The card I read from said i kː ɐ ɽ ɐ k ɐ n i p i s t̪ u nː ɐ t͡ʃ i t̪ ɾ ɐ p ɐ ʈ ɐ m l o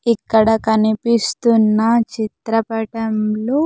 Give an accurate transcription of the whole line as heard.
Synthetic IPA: i kː ɐ ɽ ɐ k ɐ n i p i s t̪ u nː ɐ t͡ʃ i t̪ ɾ ɐ p ɐ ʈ ɐ m l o